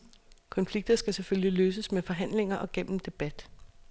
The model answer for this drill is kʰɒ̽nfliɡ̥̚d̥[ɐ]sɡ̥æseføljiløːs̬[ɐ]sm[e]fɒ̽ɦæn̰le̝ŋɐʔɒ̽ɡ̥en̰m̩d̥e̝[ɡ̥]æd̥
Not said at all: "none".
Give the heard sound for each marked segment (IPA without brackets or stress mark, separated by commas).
ɐ, ə, e, b̥